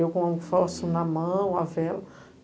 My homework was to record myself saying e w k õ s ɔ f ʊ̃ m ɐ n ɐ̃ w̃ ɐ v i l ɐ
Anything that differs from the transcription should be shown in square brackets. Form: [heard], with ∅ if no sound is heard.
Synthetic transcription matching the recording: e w k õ [f] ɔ [s] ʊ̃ [n] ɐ [m] ɐ̃ w̃ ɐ v [ɛ] l ɐ